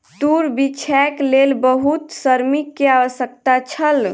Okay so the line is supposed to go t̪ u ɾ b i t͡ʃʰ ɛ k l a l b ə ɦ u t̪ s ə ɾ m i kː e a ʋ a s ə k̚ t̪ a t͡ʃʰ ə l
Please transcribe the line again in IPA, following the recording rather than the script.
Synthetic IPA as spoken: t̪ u ɾ b i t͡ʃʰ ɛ k l e l b ə ɦ u t̪ s ə ɾ m i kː e a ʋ ə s ə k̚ t̪ a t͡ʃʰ ə l